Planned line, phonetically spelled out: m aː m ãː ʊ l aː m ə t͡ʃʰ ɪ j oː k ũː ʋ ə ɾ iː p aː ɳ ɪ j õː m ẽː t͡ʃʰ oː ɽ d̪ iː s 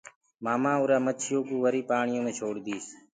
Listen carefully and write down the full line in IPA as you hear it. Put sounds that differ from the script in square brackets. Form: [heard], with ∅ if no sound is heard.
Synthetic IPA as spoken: m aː m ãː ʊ [ɾ] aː m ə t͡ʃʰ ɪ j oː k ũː ʋ ə ɾ iː p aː ɳ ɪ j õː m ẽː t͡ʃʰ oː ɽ d̪ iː s

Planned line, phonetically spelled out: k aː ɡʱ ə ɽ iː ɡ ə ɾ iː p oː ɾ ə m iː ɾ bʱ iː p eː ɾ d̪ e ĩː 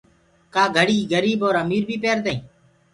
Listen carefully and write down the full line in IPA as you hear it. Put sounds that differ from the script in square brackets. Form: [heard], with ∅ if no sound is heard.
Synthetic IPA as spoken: k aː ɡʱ ə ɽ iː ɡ ə ɾ iː [b] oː ɾ ə m iː ɾ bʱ iː p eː ɾ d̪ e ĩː

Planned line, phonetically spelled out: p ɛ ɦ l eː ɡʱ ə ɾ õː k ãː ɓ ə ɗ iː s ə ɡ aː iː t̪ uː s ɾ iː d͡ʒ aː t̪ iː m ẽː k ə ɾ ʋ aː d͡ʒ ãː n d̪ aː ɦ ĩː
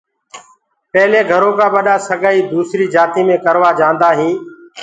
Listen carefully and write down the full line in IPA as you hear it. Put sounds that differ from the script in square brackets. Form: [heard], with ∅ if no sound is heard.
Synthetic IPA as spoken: p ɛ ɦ l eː ɡʱ ə ɾ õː k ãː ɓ ə ɗ [aː] s ə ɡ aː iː [d̪] uː s ɾ iː d͡ʒ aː t̪ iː m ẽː k ə ɾ ʋ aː d͡ʒ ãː n d̪ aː ɦ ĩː

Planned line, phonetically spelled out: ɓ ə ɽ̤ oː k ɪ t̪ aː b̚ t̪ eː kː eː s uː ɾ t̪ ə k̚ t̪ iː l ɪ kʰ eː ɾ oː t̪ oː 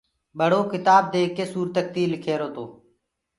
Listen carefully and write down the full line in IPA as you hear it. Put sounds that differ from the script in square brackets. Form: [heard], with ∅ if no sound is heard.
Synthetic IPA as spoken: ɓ ə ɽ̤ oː k ɪ t̪ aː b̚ [d̪] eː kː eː s uː ɾ t̪ ə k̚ t̪ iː l ɪ kʰ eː ɾ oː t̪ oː

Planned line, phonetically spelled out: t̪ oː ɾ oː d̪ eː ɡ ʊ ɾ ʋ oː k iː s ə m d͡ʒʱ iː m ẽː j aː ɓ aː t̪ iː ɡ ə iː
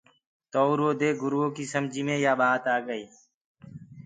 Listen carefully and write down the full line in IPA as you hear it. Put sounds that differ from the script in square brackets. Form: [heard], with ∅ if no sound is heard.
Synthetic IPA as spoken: t̪ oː ɾ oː d̪ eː ɡ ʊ ɾ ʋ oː k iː s ə m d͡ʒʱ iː m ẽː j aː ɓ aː t̪ [aː] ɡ ə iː

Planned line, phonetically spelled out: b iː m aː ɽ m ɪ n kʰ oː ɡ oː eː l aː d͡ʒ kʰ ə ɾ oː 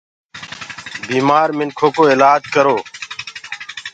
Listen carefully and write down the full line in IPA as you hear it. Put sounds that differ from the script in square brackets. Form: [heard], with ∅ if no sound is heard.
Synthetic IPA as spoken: b iː m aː [ɾ] m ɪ n kʰ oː [k] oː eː l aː d͡ʒ [k] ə ɾ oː

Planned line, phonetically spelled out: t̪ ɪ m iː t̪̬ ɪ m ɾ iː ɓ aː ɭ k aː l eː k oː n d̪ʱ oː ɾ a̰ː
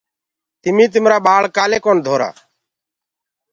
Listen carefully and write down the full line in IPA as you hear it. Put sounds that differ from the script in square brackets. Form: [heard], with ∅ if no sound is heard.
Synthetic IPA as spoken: t̪ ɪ m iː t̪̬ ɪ m ɾ [aː] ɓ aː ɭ k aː l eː k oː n d̪ʱ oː ɾ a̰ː

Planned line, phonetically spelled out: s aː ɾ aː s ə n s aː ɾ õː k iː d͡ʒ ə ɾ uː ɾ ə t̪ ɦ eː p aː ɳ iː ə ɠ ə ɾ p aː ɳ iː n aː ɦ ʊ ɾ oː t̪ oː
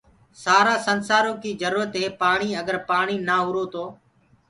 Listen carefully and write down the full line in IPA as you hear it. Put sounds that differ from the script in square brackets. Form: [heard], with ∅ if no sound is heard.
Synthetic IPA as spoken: s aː ɾ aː s ə n s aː ɾ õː k iː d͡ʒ ə ɾ uː ɾ ə t̪ ɦ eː p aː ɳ iː ə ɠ ə ɾ p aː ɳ iː n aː ɦ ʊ ɾ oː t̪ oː

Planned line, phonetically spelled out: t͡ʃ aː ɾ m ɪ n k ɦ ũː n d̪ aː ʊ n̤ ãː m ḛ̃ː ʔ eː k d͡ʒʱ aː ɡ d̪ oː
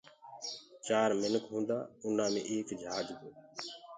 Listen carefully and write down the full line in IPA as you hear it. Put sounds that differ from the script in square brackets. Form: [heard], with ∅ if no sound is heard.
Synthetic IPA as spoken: t͡ʃ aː ɾ m ɪ n k ɦ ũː n d̪ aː ʊ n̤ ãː m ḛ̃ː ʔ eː k d͡ʒʱ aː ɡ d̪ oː

